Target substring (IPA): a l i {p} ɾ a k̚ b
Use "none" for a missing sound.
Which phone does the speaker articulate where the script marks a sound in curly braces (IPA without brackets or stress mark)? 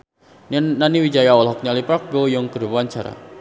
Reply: p